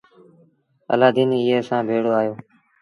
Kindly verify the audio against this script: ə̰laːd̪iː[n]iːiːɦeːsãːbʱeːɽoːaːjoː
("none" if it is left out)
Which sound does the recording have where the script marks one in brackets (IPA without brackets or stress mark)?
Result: n